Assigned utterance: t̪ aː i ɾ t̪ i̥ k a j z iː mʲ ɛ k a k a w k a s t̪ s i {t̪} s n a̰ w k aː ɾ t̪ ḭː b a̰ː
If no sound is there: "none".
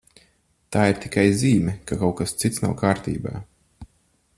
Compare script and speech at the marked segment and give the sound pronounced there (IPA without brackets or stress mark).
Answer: t̪